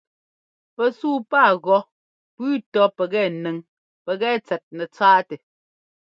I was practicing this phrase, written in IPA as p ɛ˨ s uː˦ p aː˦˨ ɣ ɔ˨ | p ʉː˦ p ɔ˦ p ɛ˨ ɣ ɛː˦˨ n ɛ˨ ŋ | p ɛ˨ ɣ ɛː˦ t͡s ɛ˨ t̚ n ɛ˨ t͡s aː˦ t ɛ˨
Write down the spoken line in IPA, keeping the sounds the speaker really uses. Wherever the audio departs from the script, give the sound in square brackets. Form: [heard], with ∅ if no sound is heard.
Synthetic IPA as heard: p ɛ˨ s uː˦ p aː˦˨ ɣ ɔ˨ | p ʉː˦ [t] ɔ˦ p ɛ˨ ɣ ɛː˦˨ n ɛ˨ ŋ | p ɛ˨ ɣ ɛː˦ t͡s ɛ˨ t̚ n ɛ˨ t͡s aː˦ t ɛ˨